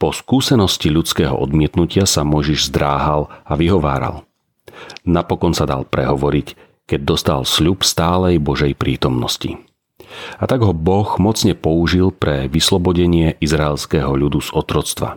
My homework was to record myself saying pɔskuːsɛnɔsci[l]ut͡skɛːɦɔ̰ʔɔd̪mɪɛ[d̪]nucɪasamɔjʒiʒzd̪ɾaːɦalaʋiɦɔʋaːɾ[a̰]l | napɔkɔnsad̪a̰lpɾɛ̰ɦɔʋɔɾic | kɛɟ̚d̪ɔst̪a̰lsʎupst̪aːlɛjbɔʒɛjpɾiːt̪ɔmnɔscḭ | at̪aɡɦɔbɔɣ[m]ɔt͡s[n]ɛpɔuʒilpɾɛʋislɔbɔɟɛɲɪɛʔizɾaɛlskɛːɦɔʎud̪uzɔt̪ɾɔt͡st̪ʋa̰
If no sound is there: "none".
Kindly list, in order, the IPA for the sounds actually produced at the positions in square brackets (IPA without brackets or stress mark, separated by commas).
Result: ʎ, t̪, a̰, m, ɲ